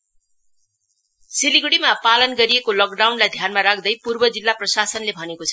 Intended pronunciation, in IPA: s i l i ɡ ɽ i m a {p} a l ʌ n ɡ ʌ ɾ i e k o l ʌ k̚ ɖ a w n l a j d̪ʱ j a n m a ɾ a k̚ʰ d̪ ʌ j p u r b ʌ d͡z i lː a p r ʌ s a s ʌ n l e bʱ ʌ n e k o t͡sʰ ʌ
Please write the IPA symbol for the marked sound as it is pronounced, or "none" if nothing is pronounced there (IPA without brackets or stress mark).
p